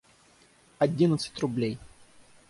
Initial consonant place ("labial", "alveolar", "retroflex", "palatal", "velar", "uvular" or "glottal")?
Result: alveolar